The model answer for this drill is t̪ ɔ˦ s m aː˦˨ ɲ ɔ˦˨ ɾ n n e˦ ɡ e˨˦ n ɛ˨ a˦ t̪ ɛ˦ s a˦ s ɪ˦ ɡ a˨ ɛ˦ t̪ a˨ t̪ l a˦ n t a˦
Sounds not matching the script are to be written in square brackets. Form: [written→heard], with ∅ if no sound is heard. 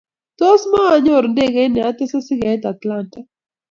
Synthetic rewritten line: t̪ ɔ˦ s m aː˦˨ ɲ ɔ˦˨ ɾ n [n→d] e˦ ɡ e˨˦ n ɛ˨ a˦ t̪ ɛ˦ s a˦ s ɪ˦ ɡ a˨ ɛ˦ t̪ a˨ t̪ l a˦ n t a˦